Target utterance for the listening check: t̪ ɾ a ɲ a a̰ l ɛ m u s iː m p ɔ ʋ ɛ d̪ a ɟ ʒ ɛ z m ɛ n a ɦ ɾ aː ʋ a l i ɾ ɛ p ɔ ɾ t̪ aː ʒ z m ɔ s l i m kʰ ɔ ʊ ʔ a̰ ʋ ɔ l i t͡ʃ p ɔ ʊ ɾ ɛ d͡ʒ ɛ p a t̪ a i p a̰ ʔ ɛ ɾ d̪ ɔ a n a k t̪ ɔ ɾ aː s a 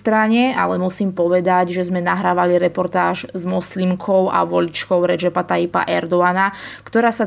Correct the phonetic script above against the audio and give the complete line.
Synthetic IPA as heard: t̪ ɾ a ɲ ɛ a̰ l ɛ m u s iː m p ɔ ʋ ɛ d̪ a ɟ ʒ ɛ z m ɛ n a ɦ ɾ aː ʋ a l i ɾ ɛ p ɔ ɾ t̪ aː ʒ z m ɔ s l i m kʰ ɔ ʊ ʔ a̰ ʋ ɔ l i t͡ʃ k ɔ ʊ ɾ ɛ d͡ʒ ɛ p a t̪ a i p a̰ ʔ ɛ ɾ d̪ ɔ a n a k t̪ ɔ ɾ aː s a